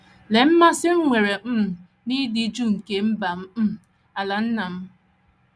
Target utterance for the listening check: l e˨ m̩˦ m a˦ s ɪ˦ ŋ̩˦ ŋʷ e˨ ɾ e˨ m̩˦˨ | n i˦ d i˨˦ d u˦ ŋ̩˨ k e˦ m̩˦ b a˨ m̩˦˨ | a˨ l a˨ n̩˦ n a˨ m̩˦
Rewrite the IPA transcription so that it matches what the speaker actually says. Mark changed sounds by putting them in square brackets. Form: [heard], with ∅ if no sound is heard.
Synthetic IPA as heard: l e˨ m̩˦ m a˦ s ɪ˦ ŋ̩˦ ŋʷ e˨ ɾ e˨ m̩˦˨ | n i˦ d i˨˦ [d͡ʒ] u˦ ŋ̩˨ k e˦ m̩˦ b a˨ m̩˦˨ | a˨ l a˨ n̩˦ n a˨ m̩˦

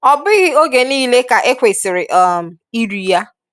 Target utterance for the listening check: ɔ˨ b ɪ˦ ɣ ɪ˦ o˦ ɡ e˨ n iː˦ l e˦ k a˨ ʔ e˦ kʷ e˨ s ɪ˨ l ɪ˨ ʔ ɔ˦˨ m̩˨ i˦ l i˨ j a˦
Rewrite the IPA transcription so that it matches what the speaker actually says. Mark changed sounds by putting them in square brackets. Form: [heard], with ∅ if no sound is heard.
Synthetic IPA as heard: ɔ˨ b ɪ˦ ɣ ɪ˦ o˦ ɡ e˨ n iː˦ l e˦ k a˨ ʔ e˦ kʷ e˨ s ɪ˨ [ɾ] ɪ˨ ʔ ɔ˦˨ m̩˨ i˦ [ɾ] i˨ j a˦

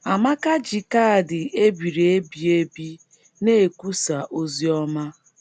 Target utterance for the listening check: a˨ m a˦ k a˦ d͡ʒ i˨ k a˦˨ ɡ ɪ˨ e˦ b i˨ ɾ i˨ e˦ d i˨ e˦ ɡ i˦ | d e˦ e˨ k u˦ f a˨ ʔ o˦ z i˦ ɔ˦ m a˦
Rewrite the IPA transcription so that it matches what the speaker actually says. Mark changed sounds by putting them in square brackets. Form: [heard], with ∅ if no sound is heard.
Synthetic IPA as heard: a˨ m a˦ k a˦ d͡ʒ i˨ k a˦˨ [d] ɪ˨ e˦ b i˨ ɾ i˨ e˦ [b] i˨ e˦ [b] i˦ | [n] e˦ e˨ k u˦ [s] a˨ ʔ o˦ z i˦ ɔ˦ m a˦

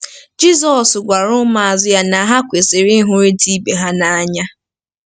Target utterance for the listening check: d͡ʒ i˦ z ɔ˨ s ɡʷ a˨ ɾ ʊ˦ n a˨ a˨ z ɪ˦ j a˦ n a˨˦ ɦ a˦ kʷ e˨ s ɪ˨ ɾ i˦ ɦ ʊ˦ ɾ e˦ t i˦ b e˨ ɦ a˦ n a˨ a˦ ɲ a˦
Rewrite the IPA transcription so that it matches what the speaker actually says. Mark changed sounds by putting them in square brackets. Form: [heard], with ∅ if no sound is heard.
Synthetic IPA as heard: d͡ʒ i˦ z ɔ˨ s ɡʷ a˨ ɾ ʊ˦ [m] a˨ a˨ z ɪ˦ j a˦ n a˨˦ ɦ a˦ kʷ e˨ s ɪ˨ ɾ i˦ ɦ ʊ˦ ɾ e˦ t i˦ b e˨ ɦ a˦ n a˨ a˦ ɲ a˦

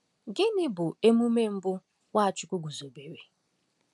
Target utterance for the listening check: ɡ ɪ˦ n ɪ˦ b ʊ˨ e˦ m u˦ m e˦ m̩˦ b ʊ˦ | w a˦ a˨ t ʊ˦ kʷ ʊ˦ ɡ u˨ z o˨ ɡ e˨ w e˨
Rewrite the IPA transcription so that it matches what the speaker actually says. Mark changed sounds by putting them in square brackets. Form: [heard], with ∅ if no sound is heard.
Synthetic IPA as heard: ɡ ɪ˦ n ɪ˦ b ʊ˨ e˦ m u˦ m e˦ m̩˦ b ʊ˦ | w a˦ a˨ [t͡ʃ] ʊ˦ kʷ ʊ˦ ɡ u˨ z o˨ [b] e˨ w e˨

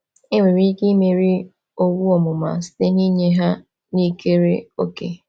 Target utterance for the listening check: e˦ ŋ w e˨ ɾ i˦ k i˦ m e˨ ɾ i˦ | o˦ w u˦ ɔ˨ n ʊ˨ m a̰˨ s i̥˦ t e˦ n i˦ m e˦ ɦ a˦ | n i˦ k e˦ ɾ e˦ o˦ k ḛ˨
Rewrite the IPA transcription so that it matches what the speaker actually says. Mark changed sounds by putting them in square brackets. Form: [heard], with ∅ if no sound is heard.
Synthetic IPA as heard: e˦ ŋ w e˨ ɾ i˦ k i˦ m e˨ ɾ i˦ | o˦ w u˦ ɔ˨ [m] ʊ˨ m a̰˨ s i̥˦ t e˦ n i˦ [ɲ] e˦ ɦ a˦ | n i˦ k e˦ ɾ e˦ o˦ k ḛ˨

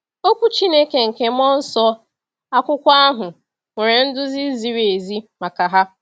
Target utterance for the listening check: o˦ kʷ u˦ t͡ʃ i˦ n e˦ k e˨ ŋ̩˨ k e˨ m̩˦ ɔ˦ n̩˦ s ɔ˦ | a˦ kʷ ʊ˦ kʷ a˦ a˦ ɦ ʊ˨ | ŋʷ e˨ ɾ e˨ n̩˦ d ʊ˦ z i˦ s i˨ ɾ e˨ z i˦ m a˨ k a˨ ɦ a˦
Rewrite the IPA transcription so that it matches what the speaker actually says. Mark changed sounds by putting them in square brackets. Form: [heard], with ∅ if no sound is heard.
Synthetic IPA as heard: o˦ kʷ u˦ t͡ʃ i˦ n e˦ k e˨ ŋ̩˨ k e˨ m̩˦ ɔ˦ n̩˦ s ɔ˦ | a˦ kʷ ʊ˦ kʷ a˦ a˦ ɦ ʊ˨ | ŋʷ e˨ ɾ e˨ n̩˦ d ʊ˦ z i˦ [z] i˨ ɾ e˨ z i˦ m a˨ k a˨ ɦ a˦

